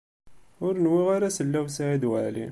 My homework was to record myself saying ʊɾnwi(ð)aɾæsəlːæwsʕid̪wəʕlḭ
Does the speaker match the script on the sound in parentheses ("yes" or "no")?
no